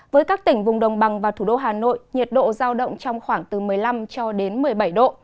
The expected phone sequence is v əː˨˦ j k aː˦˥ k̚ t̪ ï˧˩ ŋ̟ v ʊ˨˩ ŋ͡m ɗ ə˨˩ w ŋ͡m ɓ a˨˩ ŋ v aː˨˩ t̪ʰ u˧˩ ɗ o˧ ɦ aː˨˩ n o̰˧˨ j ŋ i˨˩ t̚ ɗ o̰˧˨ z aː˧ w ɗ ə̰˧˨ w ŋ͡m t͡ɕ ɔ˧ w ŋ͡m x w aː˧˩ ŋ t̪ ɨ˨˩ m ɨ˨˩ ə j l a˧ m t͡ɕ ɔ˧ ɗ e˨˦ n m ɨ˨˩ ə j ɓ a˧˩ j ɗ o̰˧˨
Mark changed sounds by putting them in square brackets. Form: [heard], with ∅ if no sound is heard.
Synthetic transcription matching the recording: v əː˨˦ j k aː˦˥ k̚ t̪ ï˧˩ ŋ̟ v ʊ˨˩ ŋ͡m ɗ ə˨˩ w ŋ͡m ɓ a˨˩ ŋ v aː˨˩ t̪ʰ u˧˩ ɗ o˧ ɦ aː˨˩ n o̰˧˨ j [ɲ] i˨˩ t̚ ɗ o̰˧˨ z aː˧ w ɗ ə̰˧˨ w ŋ͡m t͡ɕ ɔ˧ w ŋ͡m x w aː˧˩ ŋ t̪ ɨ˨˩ m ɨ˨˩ ə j l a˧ m t͡ɕ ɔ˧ ɗ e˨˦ n m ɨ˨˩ ə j ɓ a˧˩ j ɗ o̰˧˨

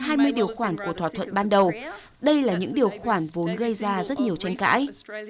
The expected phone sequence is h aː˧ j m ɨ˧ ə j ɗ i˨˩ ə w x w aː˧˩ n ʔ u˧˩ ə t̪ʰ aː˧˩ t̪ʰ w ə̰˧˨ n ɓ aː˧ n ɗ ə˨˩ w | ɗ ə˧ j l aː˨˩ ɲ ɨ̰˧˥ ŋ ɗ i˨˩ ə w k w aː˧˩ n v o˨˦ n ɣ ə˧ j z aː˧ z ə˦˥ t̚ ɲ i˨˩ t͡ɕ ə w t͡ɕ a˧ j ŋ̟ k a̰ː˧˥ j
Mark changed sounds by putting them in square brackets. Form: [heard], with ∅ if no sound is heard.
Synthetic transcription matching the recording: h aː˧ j m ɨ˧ ə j ɗ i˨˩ ə w x w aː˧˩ n [k] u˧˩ ə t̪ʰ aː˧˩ t̪ʰ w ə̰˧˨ n ɓ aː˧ n ɗ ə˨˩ w | ɗ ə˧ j l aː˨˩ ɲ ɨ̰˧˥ ŋ ɗ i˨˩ ə w [x] w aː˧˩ n v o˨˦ n ɣ ə˧ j z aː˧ z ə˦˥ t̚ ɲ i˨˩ [∅] ə w t͡ɕ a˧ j ŋ̟ k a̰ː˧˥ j

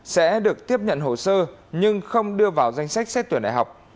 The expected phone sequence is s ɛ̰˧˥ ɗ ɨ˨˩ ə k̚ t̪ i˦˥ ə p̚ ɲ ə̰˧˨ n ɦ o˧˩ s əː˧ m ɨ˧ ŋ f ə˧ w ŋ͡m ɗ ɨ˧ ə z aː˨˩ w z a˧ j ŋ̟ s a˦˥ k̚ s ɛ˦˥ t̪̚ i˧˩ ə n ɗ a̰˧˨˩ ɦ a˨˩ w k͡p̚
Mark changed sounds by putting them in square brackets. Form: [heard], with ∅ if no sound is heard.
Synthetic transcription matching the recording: s ɛ̰˧˥ ɗ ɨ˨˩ ə k̚ t̪ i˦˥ ə p̚ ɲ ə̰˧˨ n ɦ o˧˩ s əː˧ [ɲ] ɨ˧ ŋ [x] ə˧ w ŋ͡m ɗ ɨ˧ ə [v] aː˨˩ w z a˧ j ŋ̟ s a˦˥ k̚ s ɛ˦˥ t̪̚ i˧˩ ə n ɗ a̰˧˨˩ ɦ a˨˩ w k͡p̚

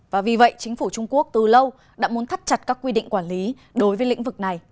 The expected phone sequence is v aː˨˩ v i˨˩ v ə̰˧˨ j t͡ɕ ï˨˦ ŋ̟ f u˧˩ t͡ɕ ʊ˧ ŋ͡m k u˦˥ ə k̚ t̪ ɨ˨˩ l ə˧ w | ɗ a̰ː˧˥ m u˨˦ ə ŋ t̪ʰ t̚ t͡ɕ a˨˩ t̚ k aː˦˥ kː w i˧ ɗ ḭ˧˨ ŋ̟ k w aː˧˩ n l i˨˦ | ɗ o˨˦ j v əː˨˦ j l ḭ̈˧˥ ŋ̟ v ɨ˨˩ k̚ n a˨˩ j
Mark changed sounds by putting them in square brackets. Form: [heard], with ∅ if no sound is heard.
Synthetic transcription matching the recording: v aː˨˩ v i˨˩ v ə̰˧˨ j t͡ɕ ï˨˦ ŋ̟ f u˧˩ t͡ɕ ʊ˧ ŋ͡m k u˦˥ ə k̚ t̪ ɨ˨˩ l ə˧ w | ɗ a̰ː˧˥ m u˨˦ ə [n] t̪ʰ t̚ t͡ɕ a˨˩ t̚ k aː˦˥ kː w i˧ ɗ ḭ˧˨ ŋ̟ k w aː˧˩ n l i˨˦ | ɗ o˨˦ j v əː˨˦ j l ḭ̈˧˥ ŋ̟ v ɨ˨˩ k̚ n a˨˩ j

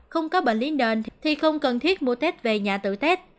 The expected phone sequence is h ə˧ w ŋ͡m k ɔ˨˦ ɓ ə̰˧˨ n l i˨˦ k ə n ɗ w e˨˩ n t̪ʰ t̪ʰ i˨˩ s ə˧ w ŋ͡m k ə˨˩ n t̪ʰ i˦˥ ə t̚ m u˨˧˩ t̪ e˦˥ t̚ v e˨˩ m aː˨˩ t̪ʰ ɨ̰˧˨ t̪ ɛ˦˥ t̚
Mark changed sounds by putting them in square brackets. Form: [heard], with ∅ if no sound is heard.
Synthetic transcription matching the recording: [x] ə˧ w ŋ͡m k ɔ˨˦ ɓ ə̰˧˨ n l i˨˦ [∅] ə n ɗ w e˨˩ n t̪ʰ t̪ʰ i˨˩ [x] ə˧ w ŋ͡m k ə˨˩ n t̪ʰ i˦˥ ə t̚ m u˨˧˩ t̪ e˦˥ t̚ v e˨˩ [ɲ] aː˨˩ [t̪] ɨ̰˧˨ t̪ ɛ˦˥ t̚

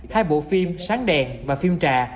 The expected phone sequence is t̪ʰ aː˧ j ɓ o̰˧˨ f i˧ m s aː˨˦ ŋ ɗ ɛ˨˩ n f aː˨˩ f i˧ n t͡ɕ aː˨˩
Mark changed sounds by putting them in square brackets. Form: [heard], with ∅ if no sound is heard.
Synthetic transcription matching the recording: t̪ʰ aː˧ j ɓ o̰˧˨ f i˧ m s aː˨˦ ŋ ɗ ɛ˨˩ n [v] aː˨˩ f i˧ [m] t͡ɕ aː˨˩

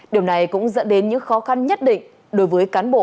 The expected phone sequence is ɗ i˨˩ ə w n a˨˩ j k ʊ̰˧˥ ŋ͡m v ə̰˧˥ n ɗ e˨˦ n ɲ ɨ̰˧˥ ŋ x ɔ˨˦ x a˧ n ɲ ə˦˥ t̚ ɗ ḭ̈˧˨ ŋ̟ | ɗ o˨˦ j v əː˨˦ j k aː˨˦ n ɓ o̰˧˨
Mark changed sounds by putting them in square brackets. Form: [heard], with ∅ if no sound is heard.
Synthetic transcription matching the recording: ɗ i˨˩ ə w n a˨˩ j k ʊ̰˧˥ ŋ͡m [z] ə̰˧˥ n ɗ e˨˦ n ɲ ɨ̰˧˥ ŋ x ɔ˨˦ x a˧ n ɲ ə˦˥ t̚ ɗ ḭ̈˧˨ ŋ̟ | ɗ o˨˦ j v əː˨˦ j k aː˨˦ n ɓ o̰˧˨

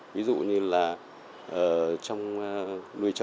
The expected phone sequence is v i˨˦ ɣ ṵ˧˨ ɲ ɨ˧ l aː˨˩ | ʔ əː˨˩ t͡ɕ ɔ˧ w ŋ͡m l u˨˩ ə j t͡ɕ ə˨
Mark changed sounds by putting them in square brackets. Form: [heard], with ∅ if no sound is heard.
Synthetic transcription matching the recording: v i˨˦ [z] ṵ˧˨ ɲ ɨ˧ l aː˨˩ | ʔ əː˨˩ t͡ɕ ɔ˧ w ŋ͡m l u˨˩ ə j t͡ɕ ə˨

